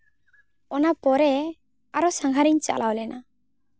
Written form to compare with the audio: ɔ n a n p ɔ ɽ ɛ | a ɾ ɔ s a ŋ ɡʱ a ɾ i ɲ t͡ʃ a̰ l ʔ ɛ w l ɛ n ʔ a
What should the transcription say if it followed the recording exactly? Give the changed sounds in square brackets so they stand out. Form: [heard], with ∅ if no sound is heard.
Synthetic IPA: ɔ n a [∅] p ɔ [ɾ] ɛ | a ɾ ɔ s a ŋ ɡʱ a ɾ i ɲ t͡ʃ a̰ l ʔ [a] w l ɛ n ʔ a